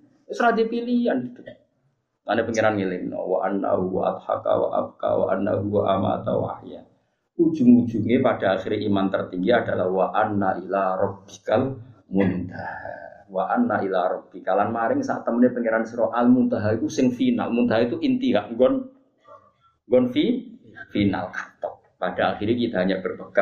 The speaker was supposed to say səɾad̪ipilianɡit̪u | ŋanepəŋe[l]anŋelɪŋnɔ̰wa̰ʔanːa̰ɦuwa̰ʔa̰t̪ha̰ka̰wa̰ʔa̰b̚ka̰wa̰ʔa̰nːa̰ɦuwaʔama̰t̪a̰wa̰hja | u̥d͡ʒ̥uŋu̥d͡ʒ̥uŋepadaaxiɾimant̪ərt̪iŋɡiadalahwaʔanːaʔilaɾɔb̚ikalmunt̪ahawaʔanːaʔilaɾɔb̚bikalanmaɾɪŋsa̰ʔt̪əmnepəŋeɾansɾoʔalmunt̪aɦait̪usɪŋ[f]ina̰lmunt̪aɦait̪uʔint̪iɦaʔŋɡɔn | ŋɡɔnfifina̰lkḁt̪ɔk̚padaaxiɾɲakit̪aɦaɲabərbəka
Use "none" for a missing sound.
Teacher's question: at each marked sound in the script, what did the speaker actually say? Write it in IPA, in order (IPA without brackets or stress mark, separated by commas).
ɾ, f